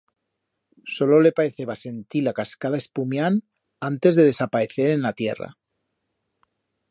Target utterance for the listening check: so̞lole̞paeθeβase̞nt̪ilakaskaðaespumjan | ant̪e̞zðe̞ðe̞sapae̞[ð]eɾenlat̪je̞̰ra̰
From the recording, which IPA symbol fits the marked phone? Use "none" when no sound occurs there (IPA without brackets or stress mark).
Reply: θ